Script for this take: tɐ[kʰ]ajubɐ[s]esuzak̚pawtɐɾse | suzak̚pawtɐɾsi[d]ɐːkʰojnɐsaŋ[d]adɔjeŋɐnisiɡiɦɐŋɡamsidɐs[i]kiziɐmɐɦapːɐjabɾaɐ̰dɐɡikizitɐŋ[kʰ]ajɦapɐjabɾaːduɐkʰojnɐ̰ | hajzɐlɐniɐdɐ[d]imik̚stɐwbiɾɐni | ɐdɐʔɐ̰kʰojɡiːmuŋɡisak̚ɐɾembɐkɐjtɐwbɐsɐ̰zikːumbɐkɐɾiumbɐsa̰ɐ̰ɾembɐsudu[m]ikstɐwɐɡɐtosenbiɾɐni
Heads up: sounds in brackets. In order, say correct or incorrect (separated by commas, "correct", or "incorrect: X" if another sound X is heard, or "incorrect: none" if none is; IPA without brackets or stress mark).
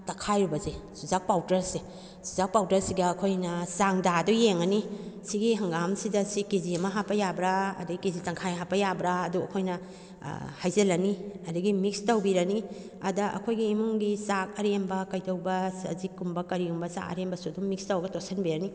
correct, incorrect: z, incorrect: ɡ, correct, correct, correct, incorrect: ɡ, correct